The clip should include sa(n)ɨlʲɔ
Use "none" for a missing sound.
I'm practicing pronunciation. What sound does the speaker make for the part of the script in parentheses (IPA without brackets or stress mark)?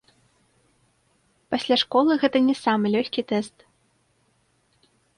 m